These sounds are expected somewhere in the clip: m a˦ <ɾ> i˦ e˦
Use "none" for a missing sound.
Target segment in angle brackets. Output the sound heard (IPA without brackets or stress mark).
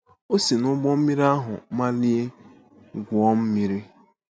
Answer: l